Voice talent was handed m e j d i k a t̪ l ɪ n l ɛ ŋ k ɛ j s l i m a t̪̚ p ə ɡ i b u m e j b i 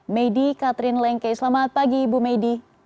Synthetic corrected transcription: m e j d i k a t̪ ɾ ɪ n l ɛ ŋ k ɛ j s l a m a t̪̚ p a ɡ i b u m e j d i